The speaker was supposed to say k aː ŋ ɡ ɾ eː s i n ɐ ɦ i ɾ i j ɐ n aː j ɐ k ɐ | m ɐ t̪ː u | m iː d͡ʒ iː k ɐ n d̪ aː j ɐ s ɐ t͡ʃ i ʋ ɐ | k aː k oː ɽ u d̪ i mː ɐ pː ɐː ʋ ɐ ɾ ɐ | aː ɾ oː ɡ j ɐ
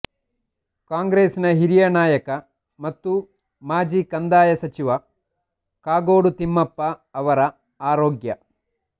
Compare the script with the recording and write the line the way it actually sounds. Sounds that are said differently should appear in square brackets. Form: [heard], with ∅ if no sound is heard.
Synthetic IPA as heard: k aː ŋ ɡ ɾ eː s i n ɐ ɦ i ɾ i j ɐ n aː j ɐ k ɐ | m ɐ t̪ː u | m [aː] d͡ʒ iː k ɐ n d̪ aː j ɐ s ɐ t͡ʃ i ʋ ɐ | k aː [ɡ] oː ɽ u [t̪] i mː ɐ pː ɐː ʋ ɐ ɾ ɐ | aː ɾ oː ɡ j ɐ